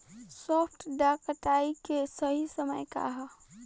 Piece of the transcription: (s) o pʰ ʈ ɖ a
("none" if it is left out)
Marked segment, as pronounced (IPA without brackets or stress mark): s